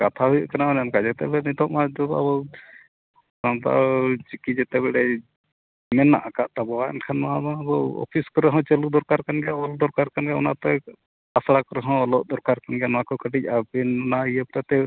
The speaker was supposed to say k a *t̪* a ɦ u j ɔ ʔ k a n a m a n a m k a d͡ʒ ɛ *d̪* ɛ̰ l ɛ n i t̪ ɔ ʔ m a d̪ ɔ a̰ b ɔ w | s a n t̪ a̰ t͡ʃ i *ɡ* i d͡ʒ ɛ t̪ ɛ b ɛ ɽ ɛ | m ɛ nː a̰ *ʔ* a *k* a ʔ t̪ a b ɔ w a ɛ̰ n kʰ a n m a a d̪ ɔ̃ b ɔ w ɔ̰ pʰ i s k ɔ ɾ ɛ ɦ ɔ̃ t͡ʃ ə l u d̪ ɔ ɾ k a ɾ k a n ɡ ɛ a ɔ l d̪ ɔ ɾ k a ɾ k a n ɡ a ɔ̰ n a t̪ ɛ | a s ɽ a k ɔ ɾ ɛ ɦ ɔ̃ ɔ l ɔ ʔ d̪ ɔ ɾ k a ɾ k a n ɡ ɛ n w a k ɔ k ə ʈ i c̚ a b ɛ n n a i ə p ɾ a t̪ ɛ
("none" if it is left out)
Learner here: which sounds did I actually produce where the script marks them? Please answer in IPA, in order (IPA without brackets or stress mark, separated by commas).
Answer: t̪ʰ, t̪, k, ʔ, k